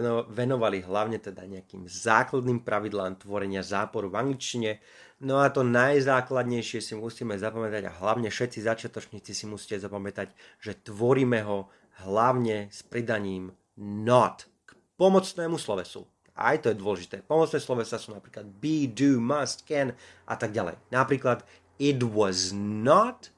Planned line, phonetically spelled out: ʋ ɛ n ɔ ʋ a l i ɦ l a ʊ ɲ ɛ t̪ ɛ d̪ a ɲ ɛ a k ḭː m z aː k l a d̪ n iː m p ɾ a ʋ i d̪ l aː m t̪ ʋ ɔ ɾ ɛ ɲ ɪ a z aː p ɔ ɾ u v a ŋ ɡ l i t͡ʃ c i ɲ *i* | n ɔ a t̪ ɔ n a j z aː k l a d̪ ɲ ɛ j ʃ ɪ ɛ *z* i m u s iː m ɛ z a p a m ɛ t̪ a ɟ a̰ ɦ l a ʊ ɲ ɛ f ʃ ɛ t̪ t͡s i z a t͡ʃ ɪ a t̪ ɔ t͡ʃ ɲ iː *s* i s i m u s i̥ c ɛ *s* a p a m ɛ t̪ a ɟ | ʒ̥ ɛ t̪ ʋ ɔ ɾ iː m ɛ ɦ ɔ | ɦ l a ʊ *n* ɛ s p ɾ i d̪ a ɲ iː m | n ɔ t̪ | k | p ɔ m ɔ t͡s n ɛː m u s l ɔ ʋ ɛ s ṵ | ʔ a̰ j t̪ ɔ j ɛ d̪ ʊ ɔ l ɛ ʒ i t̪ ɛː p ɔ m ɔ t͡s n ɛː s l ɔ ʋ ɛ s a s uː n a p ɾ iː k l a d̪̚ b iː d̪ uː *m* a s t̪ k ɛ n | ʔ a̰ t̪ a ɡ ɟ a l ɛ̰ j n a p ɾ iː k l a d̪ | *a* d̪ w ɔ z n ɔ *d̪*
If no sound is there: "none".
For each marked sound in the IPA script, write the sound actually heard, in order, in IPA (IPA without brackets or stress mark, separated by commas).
ɛ, s, t͡s, z, ɲ, m, i, t̪